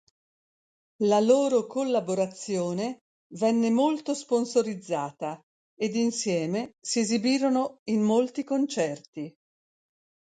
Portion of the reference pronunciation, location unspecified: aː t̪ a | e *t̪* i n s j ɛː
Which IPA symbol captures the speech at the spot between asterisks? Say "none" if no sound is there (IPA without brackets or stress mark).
d̪